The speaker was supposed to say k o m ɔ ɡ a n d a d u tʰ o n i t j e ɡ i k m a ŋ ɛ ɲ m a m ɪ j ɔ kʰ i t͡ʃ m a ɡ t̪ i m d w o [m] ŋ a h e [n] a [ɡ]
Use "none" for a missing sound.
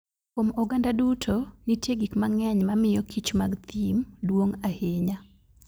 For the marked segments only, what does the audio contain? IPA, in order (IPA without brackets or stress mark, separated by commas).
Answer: none, ɲ, none